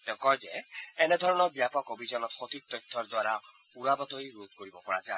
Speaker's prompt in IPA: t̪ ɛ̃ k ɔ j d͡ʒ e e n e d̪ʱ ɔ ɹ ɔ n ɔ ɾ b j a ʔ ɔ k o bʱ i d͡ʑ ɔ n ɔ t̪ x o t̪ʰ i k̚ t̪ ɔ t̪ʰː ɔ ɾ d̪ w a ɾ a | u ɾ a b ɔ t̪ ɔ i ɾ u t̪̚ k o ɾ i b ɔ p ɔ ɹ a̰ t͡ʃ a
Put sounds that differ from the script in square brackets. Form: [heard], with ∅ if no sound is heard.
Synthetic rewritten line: t̪ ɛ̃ k ɔ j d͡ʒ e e n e d̪ʱ ɔ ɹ ɔ n ɔ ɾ b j a [p] ɔ k o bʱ i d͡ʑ ɔ n ɔ t̪ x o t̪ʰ i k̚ t̪ ɔ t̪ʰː ɔ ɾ d̪ w a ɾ a | u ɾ a b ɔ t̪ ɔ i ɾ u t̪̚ k o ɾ i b ɔ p ɔ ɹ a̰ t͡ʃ a